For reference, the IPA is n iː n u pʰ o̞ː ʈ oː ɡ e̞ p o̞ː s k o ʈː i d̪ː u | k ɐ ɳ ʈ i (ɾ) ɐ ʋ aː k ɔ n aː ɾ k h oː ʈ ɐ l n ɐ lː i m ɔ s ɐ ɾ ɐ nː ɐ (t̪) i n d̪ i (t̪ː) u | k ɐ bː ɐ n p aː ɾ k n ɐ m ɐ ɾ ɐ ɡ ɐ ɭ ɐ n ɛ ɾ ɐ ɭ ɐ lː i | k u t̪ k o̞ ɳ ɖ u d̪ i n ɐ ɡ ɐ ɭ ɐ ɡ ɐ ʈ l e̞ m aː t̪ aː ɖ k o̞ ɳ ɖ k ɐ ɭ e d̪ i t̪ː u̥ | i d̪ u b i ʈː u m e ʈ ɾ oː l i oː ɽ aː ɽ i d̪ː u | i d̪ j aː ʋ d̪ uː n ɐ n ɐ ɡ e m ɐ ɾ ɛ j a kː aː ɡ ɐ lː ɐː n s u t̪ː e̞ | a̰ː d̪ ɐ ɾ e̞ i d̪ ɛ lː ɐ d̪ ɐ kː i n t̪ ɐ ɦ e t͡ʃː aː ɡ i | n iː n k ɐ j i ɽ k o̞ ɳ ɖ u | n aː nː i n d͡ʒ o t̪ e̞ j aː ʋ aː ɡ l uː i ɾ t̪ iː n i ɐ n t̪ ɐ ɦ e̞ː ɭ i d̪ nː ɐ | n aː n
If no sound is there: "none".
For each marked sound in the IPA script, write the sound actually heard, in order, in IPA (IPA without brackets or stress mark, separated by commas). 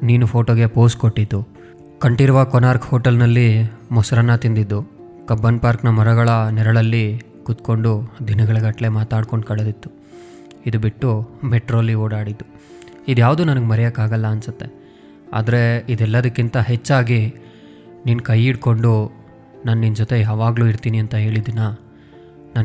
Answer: ɾ, t̪, d̪ː